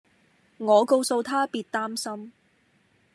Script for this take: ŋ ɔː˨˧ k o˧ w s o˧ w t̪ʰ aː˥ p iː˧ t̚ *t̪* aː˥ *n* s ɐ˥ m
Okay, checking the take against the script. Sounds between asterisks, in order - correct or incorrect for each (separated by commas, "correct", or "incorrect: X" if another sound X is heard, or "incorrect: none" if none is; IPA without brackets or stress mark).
correct, incorrect: m